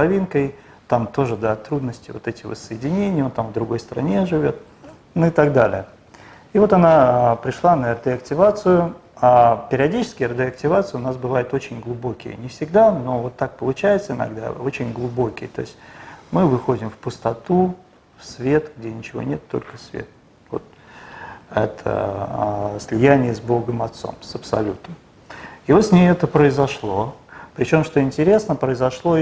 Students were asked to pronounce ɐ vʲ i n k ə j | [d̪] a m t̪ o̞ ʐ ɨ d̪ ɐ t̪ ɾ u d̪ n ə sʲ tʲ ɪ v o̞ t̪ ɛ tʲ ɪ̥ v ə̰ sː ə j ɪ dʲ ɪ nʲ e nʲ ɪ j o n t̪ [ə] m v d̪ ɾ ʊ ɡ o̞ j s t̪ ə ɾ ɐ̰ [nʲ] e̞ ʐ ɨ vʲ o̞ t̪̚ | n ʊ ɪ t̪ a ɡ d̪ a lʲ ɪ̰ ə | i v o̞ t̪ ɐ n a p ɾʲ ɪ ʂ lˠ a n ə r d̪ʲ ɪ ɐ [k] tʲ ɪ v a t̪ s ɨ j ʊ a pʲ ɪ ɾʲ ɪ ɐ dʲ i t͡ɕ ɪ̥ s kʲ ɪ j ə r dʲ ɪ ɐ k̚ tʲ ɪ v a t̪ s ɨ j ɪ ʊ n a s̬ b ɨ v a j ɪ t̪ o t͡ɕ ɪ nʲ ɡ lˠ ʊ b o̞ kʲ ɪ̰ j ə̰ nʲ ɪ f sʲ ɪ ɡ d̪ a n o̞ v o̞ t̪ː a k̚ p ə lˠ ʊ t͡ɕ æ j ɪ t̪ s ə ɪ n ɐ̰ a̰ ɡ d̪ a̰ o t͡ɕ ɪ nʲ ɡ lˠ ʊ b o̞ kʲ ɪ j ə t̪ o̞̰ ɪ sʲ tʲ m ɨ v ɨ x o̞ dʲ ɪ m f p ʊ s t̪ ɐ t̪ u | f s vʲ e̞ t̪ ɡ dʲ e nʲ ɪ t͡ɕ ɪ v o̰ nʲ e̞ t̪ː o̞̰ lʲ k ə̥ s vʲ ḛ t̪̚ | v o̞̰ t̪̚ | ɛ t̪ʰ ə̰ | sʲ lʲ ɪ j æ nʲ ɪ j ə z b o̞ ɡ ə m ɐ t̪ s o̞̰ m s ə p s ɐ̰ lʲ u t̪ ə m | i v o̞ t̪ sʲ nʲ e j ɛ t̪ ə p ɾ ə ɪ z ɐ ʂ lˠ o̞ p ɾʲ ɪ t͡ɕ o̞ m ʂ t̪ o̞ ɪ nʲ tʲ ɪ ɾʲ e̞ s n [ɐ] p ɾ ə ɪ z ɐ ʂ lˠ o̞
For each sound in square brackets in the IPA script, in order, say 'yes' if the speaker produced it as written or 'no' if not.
no, no, yes, yes, no

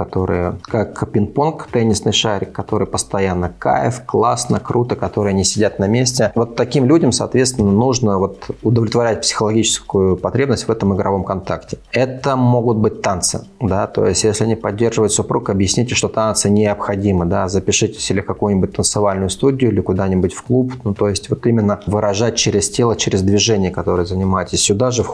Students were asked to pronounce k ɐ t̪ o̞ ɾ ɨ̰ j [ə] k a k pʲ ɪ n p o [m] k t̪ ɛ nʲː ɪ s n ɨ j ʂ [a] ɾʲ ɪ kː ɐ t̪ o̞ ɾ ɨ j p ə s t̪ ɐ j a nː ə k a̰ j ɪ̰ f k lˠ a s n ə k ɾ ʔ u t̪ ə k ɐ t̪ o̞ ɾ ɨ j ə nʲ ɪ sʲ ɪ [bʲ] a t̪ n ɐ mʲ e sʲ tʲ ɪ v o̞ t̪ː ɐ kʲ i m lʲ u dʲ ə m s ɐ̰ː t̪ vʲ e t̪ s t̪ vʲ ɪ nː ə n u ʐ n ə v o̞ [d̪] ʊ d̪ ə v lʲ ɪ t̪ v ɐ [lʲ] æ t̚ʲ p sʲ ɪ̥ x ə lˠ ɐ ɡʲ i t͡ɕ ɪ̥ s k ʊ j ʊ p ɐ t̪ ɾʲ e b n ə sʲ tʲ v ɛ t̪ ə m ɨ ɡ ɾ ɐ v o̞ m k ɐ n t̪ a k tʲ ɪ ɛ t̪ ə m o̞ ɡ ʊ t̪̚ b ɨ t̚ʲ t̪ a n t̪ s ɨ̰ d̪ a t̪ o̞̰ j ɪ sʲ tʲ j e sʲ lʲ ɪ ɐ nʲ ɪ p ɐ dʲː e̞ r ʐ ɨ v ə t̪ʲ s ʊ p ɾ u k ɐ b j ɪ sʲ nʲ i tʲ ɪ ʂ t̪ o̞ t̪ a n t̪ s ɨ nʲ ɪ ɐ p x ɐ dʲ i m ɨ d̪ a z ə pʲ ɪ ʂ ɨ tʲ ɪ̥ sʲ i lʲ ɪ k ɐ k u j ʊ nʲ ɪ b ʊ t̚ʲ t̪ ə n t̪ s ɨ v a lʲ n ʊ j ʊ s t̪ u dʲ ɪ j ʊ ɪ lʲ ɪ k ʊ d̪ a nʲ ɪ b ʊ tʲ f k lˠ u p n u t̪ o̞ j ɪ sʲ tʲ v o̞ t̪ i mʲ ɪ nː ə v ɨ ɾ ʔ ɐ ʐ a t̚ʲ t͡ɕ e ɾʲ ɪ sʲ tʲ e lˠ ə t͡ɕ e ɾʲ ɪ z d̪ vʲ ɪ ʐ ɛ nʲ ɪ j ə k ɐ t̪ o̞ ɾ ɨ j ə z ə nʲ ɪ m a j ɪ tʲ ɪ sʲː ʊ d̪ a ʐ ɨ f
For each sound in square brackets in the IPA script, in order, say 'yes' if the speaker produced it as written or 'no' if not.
yes, no, yes, no, no, no

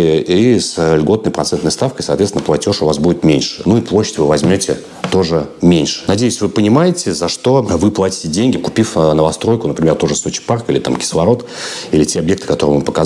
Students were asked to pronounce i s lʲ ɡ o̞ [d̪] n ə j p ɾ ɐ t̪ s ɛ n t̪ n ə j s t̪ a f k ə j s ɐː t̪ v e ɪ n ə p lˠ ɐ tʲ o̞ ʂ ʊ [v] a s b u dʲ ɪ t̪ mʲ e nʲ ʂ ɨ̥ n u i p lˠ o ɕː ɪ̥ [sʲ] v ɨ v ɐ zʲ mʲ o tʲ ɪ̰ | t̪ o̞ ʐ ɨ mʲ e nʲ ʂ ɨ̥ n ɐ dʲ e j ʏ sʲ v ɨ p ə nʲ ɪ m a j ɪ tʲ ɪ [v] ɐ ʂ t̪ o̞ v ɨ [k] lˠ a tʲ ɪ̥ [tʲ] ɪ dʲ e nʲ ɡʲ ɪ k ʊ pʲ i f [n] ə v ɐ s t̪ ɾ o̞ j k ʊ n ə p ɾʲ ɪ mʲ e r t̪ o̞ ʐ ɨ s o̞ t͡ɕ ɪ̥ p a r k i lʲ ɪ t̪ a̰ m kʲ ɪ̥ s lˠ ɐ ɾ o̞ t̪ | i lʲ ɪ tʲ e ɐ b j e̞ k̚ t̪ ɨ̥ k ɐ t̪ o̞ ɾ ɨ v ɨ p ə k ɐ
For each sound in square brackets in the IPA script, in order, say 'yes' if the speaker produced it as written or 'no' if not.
no, yes, no, no, no, yes, yes

